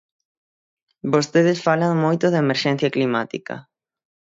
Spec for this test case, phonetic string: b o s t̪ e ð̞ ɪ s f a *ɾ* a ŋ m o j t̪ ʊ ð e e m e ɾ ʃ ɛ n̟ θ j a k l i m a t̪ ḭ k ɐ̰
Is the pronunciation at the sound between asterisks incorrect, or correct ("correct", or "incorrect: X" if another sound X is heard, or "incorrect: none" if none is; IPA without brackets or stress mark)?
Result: incorrect: l